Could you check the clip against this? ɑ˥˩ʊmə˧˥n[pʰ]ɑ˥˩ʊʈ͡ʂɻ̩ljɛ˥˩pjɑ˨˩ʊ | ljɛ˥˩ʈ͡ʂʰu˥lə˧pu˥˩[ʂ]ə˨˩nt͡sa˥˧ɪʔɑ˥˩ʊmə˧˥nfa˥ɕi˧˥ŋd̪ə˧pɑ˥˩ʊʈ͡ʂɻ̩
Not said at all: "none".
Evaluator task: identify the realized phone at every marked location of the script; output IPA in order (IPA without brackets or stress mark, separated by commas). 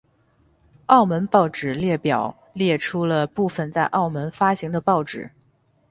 p, f